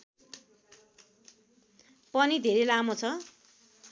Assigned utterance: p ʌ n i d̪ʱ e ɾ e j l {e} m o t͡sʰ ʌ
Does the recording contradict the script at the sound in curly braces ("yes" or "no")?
yes